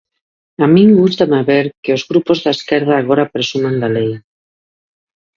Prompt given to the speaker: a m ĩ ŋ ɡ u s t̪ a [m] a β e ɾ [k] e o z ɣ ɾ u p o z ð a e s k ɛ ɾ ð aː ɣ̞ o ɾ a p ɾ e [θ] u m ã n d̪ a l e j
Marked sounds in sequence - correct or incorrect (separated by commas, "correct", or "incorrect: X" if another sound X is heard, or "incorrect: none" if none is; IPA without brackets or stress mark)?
correct, correct, incorrect: s